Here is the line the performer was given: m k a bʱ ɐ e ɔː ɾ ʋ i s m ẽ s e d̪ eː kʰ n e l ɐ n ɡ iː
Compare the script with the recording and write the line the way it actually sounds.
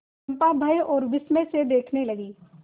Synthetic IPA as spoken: m p a bʱ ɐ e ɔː ɾ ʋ ɪ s m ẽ s e d̪ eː kʰ n e l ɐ ɡ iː